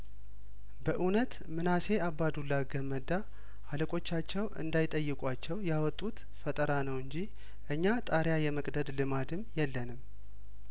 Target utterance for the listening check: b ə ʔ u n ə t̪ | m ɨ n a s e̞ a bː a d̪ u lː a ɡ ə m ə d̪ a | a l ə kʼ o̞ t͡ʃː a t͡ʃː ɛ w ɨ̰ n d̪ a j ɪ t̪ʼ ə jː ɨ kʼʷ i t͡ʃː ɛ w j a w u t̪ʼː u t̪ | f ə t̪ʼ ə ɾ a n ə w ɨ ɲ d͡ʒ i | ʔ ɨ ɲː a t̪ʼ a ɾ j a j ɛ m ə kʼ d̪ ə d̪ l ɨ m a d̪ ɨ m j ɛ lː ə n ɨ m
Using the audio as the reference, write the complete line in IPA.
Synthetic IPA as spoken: b ə ʔ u n ə t̪ | m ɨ n a s e̞ a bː a d̪ u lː a ɡ ə m ə d̪ a | a l ə kʼ o̞ t͡ʃː a t͡ʃː ɛ w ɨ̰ n d̪ a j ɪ t̪ʼ ə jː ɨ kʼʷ a t͡ʃː ɛ w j a w ɔ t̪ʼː u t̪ | f ə t̪ʼ ə ɾ a n ə w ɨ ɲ d͡ʒ i | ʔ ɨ ɲː a t̪ʼ a ɾ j a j ɛ m ə kʼ d̪ ə d̪ l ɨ m a d̪ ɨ m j ɛ lː ə n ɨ m

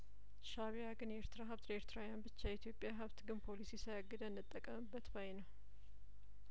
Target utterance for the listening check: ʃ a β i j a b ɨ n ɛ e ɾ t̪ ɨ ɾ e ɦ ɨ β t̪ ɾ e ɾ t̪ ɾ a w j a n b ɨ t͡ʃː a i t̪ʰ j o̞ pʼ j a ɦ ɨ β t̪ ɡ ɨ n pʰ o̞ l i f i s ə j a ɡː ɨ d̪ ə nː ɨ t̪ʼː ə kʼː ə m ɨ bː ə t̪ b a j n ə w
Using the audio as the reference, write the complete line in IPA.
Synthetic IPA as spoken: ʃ a β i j a ɡ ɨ n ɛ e ɾ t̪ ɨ ɾ a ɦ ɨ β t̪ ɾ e ɾ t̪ ɾ a w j a n b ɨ t͡ʃː a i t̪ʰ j o̞ pʼ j a ɦ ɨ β t̪ ɡ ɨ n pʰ o̞ l i s i s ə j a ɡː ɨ d̪ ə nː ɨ t̪ʼː ə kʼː ə m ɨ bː ə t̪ b a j n ə w

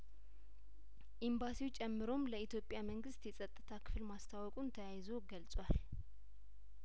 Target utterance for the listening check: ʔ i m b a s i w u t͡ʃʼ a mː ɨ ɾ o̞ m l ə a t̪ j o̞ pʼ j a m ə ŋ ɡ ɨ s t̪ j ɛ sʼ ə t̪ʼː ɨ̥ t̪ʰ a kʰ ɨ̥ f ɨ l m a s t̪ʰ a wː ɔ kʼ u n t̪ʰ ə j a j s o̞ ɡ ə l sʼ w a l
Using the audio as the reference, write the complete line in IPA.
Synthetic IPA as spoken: ʔ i m b a s i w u t͡ʃʼ ɛ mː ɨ ɾ o̞ m l ə i t̪ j o̞ pʼ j a m ə ŋ ɡ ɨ s t̪ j ɛ sʼ ə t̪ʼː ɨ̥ t̪ʰ a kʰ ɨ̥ f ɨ l m a s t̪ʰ a w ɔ kʼ u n t̪ʰ ə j a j z o̞ ɡ ə l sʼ w a l

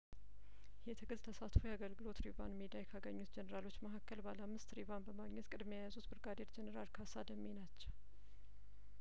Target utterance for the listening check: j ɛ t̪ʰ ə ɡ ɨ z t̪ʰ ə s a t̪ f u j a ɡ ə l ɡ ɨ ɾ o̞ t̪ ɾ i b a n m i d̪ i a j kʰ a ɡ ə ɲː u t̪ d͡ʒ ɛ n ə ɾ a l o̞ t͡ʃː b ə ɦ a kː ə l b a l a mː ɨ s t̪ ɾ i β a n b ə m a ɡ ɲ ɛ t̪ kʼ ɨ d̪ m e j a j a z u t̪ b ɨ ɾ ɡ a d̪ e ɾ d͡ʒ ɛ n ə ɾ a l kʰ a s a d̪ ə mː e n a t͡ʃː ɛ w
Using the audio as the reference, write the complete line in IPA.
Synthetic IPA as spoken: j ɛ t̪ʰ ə ɡ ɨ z t̪ʰ ə s a t̪ f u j a ɡ ə l ɡ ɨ l o̞ t̪ ɾ i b a n m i d̪ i a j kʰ a ɡ ə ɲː u t̪ d͡ʒ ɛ n ə ɾ a l o̞ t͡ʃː m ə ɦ a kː ə l b a l a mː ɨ s t̪ ɾ i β a n b ə m a ɡ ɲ ɛ t̪ kʼ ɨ d̪ m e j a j a z u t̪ b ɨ ɾ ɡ a d̪ e ɾ d͡ʒ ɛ n ə ɾ a l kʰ a s a d̪ ə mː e n a t͡ʃː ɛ w

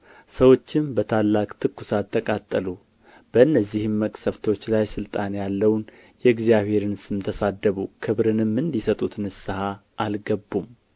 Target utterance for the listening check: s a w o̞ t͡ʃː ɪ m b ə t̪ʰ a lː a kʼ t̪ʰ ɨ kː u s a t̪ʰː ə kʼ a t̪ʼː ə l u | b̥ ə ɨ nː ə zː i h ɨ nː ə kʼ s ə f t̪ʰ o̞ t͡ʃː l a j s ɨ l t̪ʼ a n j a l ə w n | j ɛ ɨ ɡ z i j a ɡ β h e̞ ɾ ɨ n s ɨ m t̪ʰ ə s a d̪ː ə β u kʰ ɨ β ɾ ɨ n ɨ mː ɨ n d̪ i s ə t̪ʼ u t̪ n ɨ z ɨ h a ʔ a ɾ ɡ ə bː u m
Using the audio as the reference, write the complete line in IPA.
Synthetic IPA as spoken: s ə w o̞ t͡ʃː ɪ m b ə t̪ʰ a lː a kʼ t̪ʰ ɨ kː u s a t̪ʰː ə kʼ a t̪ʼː ə l u | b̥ ə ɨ nː ə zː i h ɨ mː ə kʼ s ə f t̪ʰ o̞ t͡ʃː l a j s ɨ l t̪ʼ a n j a lː ə w n | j ɛ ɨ ɡ z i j a β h e̞ ɾ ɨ n s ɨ m t̪ʰ ə s a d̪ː ə β u kʰ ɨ β ɾ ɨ n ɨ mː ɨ n d̪ i s ə t̪ʼ u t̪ n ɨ s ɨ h a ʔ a l ɡ ə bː u m

